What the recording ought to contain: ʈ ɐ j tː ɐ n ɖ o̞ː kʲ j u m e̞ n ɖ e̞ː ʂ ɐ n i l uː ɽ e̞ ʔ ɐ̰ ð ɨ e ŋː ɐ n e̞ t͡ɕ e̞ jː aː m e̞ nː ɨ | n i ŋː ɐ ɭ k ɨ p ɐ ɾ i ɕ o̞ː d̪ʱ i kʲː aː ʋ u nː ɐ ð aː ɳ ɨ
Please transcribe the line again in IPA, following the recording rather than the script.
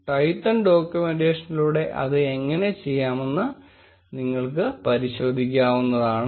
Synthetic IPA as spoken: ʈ ɐ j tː ɐ n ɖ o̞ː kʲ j u m e̞ n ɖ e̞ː ʂ ɐ n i l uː ɽ e̞ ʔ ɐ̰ ð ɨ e ŋː ɐ n e̞ t͡ɕ e̞ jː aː m e̞ nː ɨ | n i ŋː ɐ ɭ k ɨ p ɐ ɾ i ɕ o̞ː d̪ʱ i kʲː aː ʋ u nː ɐ ð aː ɳ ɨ